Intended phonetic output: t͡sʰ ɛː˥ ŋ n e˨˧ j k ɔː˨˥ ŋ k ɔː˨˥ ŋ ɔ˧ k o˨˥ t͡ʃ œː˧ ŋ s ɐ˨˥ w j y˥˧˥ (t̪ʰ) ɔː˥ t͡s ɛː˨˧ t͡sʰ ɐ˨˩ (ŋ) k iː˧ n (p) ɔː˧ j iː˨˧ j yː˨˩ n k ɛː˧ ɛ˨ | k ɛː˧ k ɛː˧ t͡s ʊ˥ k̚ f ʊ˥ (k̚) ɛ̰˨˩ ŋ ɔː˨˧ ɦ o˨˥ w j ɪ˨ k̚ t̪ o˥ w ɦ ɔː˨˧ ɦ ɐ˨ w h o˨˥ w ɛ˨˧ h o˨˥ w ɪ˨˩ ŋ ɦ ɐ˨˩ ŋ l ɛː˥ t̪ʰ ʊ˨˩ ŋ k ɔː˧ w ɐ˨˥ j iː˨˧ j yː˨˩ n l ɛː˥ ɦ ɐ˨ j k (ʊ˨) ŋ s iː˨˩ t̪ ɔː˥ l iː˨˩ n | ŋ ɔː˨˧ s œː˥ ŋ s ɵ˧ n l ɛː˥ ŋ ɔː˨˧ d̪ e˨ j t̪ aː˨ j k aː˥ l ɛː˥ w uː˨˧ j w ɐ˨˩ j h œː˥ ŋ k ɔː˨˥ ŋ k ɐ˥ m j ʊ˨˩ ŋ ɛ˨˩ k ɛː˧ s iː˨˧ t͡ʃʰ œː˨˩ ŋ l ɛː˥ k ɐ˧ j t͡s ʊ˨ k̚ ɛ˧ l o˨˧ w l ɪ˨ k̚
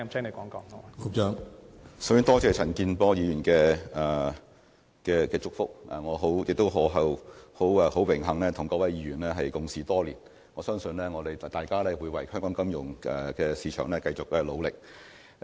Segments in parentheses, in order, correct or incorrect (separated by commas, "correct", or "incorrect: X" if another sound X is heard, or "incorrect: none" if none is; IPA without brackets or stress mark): incorrect: t̪, incorrect: n, correct, correct, correct